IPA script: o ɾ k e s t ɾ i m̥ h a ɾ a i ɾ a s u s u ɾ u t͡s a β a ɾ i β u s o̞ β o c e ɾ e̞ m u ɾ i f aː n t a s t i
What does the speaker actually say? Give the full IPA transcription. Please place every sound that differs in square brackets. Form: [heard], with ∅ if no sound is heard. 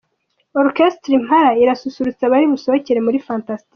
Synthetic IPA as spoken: o ɾ k e s t ɾ i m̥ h a ɾ a i ɾ a s u s u ɾ u t͡s a β a ɾ i β u s o̞ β o c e ɾ e̞ m u ɾ i f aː n t a s t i